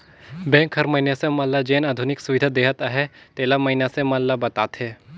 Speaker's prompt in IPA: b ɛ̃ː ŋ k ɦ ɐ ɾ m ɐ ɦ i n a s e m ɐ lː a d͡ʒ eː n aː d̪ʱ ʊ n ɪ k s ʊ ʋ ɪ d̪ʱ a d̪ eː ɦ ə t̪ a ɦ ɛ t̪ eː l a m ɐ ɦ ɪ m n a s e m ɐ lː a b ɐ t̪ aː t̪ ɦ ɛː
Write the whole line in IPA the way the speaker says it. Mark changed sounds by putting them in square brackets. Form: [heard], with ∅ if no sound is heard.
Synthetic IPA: b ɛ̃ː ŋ k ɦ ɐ ɾ m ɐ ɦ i n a s e m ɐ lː a d͡ʒ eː n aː d̪ʱ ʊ n ɪ k s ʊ ʋ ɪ d̪ʱ a d̪ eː ɦ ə t̪ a ɦ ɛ t̪ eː l a m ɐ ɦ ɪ [∅] n a s e m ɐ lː a b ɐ t̪ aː t̪ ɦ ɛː